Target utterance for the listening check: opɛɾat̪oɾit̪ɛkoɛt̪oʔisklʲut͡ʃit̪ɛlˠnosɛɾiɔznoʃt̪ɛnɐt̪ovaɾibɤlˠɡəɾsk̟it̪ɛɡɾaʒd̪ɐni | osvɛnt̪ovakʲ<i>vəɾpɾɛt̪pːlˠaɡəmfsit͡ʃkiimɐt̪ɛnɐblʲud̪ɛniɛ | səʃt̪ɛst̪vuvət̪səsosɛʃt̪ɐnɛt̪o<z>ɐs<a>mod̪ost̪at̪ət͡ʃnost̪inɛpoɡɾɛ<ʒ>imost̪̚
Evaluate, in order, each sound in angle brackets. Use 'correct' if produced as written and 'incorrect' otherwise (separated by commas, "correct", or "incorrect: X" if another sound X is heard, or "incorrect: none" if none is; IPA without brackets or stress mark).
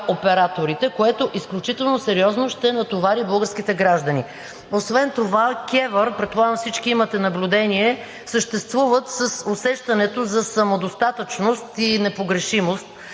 incorrect: ɛ, correct, incorrect: ɐ, incorrect: ʃ